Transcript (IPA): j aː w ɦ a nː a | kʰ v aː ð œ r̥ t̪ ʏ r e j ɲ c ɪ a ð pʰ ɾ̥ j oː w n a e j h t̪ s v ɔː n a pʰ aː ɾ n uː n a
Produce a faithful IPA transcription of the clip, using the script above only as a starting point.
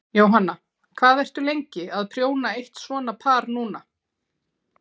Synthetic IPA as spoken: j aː w ɦ a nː a | kʰ v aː ð ɛ r̥ t̪ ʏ l e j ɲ c ɪ a ð pʰ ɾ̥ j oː w n a e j h t̪ s v ɔː n a pʰ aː ɾ n uː n a